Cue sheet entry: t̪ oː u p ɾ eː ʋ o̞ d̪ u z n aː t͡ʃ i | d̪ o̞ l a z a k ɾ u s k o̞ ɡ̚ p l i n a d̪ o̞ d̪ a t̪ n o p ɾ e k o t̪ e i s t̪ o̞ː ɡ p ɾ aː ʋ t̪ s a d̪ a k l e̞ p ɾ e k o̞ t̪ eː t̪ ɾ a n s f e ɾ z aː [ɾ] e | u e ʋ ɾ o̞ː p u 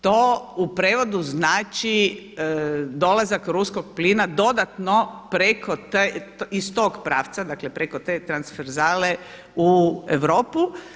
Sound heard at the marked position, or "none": l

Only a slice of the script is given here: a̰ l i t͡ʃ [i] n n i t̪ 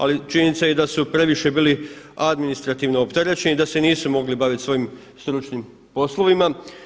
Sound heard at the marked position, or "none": i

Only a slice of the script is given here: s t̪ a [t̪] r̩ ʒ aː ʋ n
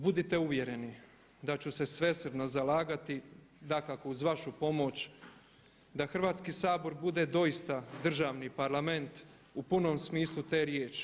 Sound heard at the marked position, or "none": d̪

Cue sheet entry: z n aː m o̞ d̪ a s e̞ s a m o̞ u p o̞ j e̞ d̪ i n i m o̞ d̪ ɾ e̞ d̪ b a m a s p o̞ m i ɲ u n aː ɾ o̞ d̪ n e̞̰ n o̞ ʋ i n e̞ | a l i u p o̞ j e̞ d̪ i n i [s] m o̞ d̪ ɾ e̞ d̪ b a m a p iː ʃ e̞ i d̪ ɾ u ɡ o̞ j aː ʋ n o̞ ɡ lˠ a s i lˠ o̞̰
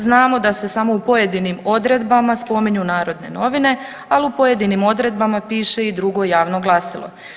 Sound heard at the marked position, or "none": none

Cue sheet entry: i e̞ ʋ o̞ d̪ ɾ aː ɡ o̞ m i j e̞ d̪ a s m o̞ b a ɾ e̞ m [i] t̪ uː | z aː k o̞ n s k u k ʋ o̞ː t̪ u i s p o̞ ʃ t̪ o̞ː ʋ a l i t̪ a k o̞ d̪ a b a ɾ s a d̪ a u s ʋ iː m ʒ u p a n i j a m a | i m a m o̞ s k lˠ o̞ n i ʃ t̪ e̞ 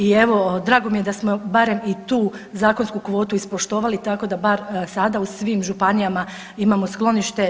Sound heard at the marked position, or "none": i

